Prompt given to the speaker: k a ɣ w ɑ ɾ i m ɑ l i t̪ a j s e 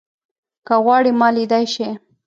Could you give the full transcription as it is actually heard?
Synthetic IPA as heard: k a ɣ w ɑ ɽ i m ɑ l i d̪ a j ʃ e